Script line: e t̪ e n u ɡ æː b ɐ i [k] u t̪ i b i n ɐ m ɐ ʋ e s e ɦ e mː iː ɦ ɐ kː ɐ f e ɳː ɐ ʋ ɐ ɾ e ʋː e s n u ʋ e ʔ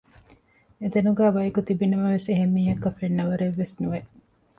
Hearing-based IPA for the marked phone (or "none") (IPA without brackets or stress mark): k